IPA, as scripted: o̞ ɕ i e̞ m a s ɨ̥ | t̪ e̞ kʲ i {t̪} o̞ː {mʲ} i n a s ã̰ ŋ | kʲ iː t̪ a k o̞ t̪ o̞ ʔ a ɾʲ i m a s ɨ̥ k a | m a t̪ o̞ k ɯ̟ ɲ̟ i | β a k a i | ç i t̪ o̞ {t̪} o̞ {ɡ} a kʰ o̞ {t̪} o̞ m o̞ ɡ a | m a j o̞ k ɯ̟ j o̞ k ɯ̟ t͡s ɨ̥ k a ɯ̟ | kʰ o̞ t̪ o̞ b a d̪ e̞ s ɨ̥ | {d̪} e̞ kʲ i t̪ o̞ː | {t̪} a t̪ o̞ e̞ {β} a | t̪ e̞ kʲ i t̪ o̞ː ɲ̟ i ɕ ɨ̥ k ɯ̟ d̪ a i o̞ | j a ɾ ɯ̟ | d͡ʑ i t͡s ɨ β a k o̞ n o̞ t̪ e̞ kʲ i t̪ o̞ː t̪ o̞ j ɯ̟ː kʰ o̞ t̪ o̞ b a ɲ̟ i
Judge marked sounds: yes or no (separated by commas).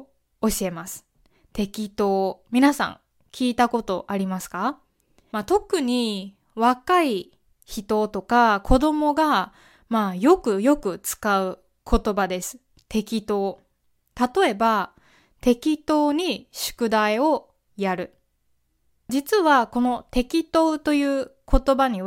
yes, yes, yes, no, no, no, yes, no